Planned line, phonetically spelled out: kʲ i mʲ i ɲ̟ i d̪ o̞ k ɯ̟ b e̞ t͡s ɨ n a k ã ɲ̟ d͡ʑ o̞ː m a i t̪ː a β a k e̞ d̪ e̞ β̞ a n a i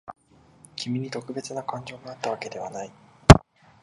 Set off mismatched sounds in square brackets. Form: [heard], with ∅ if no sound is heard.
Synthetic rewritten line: kʲ i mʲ i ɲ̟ i [t̪] o̞ k ɯ̟ b e̞ t͡s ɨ n a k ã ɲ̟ d͡ʑ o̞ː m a [a] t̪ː a β a k e̞ d̪ e̞ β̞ a n a i